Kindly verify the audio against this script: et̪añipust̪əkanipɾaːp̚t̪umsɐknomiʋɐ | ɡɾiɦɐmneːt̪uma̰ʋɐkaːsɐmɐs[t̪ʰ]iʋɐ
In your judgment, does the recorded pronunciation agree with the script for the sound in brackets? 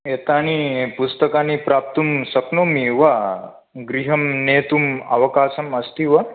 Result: no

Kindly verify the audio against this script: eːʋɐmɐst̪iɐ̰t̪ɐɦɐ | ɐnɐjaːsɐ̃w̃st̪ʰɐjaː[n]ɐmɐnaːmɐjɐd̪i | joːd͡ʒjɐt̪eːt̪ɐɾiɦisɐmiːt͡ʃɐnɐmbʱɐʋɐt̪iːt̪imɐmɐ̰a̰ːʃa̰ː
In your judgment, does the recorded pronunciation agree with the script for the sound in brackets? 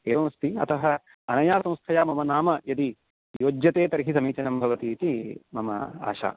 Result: no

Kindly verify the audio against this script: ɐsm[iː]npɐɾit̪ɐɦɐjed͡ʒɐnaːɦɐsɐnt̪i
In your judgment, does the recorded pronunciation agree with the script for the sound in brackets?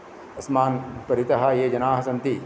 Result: no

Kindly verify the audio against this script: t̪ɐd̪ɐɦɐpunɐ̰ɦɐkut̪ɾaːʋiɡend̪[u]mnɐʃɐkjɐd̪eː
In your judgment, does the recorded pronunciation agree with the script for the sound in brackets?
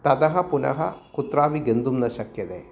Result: yes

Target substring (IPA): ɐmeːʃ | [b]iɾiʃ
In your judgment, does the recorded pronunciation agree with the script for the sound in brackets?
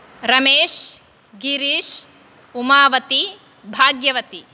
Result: no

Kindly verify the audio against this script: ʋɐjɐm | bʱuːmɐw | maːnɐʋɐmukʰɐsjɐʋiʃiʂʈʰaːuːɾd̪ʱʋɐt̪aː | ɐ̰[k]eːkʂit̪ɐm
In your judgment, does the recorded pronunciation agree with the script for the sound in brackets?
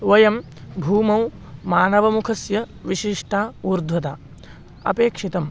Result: no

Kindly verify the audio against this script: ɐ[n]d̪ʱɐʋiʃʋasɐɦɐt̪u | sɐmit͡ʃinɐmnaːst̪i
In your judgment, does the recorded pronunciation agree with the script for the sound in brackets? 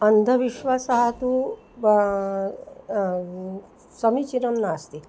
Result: yes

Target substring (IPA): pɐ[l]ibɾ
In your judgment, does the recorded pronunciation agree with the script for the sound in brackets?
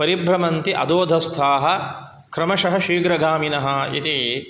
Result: no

